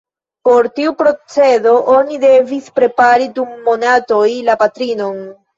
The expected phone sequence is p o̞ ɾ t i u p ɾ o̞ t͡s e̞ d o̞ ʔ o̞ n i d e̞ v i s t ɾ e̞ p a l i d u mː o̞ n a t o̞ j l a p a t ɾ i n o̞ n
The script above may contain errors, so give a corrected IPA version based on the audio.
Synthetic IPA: p o̞ ɾ t i u p ɾ o̞ t͡s e̞ d o̞ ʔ o̞ n i d e̞ v i s p ɾ e̞ p a ɾ i d u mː o̞ n a t o̞ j l a p a t ɾ i n o̞ n